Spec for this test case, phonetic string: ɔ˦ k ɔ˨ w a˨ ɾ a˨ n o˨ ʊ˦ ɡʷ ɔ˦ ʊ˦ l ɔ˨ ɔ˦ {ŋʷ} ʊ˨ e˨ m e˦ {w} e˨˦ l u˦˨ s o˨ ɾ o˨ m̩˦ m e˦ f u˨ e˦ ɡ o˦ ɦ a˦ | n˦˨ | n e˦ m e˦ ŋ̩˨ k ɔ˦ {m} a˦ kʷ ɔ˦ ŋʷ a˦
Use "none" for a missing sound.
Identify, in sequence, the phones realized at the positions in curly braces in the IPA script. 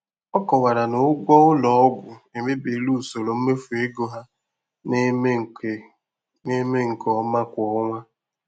ɡʷ, b, m

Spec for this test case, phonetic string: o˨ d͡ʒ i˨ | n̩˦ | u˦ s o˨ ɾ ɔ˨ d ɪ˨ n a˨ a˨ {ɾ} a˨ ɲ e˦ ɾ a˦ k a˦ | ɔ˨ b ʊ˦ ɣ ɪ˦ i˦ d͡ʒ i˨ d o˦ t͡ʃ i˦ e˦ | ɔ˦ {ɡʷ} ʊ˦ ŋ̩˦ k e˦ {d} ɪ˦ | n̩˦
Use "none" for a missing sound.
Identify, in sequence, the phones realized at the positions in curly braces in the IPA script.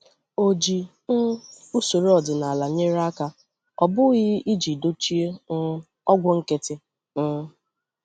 l, ɡʷ, t

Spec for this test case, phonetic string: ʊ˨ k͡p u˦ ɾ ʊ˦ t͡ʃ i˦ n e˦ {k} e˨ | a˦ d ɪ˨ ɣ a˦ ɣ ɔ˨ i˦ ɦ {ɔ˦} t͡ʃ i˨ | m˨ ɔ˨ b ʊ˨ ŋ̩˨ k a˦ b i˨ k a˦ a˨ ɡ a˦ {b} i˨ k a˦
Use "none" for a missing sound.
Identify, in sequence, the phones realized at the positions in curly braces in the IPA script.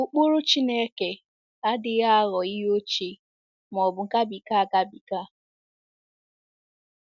k, o˦, b

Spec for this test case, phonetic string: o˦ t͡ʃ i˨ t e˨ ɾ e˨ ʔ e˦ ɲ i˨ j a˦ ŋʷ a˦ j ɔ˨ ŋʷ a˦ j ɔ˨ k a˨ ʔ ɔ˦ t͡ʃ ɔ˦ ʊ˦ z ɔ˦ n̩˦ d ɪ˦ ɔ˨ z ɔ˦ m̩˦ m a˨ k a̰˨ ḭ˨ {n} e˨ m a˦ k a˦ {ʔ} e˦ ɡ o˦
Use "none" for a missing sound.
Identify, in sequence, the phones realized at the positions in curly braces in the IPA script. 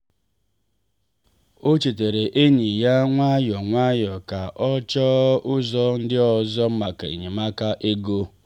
ɲ, ʔ

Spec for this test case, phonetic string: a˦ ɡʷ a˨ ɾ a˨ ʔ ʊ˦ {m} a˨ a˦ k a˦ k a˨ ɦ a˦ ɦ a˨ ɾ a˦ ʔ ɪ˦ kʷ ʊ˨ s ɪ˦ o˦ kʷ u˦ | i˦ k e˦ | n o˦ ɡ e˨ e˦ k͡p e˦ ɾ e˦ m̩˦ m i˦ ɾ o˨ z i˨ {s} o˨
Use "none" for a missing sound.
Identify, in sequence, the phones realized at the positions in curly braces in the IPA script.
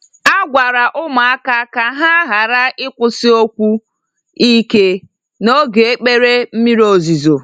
m, z

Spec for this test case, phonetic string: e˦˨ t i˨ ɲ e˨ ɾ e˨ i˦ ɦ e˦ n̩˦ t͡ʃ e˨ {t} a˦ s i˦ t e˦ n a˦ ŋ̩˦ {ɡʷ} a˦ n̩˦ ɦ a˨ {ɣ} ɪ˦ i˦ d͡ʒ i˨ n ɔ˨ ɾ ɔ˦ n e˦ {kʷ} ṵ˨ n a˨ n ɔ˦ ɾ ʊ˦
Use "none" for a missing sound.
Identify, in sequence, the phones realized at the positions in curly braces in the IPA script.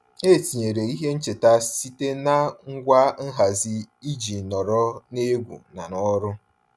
t, ɡʷ, z, ɡʷ

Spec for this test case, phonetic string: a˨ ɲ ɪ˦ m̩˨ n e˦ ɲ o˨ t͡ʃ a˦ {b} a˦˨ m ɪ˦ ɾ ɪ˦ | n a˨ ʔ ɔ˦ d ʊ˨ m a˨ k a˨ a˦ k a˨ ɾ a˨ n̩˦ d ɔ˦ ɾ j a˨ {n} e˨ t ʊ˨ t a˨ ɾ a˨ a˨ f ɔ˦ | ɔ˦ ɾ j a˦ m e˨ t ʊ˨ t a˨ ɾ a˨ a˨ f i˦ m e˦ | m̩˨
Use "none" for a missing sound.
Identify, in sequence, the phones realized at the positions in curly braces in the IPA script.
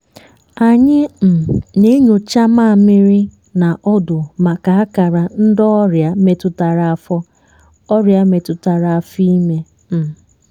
m, m

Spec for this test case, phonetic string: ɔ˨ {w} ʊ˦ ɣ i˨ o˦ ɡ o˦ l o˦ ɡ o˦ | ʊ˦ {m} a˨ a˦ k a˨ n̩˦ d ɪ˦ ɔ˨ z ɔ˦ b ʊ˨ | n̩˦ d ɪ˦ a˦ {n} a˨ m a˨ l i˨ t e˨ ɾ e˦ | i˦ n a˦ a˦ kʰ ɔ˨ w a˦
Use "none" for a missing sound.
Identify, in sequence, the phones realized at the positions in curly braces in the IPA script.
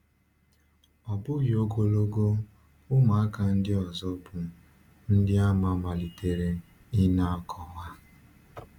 b, m, m

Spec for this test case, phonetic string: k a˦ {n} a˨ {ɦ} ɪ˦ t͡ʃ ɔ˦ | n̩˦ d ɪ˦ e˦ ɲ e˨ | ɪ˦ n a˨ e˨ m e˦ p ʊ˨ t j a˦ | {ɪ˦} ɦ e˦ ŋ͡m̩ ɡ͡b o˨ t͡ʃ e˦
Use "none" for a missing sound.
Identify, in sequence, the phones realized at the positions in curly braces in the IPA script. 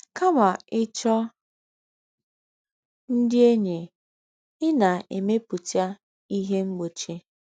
m, none, i˦

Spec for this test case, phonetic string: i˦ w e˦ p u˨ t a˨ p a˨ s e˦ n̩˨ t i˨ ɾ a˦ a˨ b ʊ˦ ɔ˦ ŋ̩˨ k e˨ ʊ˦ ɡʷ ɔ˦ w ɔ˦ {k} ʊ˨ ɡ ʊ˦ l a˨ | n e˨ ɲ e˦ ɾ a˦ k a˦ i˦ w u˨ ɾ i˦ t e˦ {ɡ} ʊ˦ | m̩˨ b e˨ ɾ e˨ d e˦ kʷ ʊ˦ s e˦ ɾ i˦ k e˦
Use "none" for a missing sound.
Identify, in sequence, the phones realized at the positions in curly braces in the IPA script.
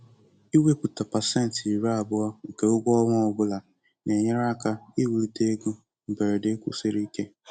none, ɡ

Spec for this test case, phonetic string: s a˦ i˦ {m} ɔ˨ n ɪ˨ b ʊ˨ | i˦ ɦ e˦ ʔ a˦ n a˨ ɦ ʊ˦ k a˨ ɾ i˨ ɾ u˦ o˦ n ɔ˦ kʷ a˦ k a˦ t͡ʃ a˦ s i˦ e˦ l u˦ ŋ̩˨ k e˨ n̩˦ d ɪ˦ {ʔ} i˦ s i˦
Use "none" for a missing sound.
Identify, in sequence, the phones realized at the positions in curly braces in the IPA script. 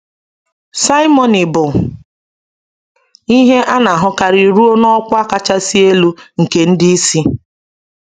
m, none

